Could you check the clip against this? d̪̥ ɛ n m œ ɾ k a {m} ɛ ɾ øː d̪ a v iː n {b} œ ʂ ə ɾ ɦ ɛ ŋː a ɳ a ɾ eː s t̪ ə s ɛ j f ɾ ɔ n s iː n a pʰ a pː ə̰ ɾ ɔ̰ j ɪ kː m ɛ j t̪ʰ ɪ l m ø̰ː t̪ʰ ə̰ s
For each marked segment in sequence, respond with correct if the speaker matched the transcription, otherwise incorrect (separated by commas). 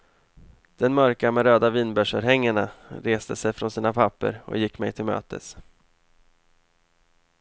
correct, correct